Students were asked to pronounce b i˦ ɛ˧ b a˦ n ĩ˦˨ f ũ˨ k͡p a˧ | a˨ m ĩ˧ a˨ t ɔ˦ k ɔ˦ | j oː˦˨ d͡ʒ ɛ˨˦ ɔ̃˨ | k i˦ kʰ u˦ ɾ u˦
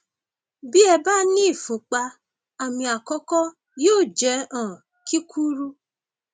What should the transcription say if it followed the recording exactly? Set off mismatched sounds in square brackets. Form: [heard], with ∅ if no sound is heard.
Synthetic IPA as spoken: b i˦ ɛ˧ b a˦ n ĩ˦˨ f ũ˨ k͡p a˧ | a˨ m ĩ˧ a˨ [k] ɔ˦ k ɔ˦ | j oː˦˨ d͡ʒ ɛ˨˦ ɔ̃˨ | k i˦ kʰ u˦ ɾ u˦